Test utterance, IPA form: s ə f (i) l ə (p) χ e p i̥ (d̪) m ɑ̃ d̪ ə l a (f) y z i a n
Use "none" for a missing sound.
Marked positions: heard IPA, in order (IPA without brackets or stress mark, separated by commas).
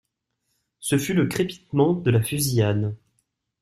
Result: y, k, t̪, f